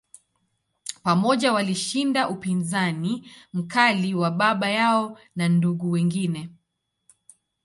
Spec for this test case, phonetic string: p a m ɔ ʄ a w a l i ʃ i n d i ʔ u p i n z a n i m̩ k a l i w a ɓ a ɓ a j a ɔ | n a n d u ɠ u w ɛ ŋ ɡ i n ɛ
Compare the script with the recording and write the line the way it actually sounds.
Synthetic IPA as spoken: p a m ɔ ʄ a w a l i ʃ i n d a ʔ u p i n z a n i m̩ k a l i w a ɓ a ɓ a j a ɔ | n a n d u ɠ u w ɛ ŋ ɡ i n ɛ